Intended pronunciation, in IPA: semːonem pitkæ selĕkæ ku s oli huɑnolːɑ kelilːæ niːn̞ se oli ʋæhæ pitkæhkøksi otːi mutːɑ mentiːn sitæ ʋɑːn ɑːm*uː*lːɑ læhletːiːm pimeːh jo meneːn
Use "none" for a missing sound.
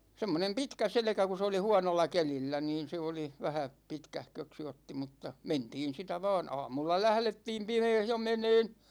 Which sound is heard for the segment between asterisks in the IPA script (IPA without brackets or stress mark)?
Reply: u